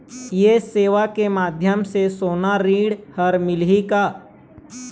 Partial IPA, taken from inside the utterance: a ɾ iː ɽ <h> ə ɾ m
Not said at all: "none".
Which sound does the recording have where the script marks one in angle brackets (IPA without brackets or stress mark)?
h